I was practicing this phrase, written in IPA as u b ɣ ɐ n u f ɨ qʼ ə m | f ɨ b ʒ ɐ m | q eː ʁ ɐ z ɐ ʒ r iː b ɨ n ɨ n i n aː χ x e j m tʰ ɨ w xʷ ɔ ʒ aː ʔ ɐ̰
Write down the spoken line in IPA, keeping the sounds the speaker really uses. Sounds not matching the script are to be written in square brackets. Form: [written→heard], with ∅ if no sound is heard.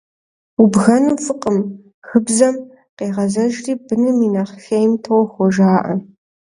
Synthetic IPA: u b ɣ ɐ n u f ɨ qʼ ə m | [f→x] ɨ b [ʒ→z] ɐ m | q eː ʁ ɐ z ɐ ʒ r iː b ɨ n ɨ [n→m] i n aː χ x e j m tʰ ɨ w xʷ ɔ ʒ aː ʔ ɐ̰